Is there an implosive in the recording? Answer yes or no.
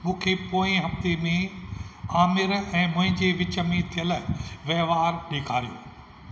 yes